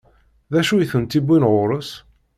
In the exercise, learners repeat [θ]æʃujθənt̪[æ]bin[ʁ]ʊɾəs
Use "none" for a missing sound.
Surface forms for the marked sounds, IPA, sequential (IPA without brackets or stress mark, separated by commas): ð, i, ʁ